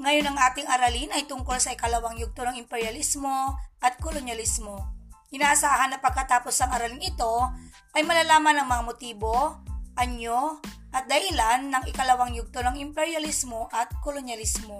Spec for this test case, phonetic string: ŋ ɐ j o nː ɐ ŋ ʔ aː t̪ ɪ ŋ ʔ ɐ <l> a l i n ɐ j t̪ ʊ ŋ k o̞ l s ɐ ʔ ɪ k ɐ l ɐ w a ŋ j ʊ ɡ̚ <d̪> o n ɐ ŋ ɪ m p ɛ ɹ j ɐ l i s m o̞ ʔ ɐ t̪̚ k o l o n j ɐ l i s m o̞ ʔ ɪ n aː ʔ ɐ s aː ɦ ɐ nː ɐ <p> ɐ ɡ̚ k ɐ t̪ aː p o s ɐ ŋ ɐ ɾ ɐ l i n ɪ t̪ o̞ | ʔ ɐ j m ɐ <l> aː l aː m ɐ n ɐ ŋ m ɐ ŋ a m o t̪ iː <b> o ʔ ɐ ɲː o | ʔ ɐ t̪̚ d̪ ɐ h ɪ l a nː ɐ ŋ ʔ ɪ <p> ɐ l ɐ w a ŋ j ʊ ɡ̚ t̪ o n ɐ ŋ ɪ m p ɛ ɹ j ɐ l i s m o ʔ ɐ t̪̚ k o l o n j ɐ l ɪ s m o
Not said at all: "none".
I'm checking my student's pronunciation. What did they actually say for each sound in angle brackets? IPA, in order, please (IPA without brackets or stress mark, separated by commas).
ɾ, t̪, p, l, b, k